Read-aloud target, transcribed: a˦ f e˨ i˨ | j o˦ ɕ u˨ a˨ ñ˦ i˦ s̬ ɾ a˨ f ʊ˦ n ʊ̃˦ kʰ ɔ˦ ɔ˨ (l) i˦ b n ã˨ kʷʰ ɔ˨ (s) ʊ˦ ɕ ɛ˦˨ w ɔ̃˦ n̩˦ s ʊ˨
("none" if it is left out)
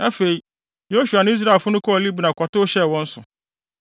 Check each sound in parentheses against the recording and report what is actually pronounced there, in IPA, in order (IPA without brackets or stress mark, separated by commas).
l, t